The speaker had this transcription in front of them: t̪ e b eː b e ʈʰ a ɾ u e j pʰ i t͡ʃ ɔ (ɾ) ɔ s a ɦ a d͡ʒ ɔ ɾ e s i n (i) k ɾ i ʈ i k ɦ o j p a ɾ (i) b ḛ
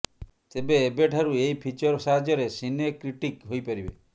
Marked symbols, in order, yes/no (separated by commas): yes, no, yes